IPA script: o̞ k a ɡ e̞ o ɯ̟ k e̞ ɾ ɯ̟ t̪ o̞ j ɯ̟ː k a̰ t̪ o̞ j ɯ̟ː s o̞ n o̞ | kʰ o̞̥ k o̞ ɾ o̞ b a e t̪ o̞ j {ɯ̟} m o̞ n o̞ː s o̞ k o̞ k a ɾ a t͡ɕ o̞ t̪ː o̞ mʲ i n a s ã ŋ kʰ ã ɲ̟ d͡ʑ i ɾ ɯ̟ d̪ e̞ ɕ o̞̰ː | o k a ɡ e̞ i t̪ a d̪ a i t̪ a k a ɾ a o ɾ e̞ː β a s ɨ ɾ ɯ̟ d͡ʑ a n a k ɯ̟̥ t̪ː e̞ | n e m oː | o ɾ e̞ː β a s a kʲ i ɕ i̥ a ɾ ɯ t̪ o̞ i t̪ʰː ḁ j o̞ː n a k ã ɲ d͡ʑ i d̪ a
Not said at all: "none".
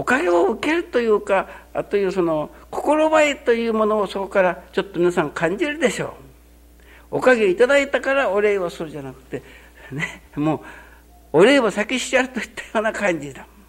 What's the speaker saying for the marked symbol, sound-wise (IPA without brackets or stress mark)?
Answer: ɯ̟ː